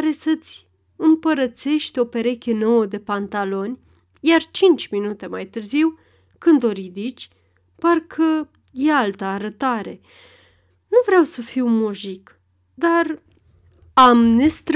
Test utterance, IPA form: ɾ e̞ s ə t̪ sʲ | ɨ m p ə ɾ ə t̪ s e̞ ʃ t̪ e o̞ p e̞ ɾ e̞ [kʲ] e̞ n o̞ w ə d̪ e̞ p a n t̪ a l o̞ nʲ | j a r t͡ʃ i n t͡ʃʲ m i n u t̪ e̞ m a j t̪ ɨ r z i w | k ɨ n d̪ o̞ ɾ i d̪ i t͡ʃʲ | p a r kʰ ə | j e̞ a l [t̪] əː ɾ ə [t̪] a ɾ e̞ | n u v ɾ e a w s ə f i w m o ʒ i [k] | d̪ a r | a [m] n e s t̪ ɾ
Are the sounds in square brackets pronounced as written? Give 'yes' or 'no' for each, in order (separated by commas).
yes, yes, yes, yes, yes